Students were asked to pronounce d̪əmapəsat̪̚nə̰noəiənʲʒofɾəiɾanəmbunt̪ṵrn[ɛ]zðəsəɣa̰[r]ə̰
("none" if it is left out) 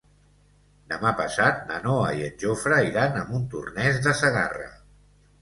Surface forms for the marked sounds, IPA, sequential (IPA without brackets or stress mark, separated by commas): ɛ, r